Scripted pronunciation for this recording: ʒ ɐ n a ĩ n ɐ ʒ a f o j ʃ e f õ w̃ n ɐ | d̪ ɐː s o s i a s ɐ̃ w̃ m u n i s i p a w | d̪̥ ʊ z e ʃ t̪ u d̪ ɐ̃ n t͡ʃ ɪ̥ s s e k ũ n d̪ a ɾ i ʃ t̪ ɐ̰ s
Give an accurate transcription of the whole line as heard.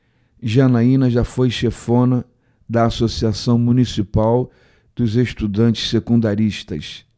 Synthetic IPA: ʒ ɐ n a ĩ n ɐ ʒ a f o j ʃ e f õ n ɐ | d̪ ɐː s o s i a s ɐ̃ w̃ m u n i s i p a w | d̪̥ ʊ z e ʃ t̪ u d̪ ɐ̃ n t͡ʃ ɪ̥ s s e k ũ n d̪ a ɾ i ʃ t̪ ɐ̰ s